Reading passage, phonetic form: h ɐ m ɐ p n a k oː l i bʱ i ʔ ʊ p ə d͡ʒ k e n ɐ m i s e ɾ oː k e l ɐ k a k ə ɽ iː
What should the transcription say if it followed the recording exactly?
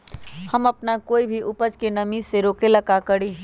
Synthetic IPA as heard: h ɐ m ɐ p n a k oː i bʱ i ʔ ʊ p ə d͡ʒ k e n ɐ m i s e ɾ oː k e l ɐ k a k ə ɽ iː